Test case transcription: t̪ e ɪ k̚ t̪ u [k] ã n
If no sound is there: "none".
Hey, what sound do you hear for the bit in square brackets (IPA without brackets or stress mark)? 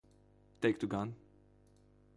ɡ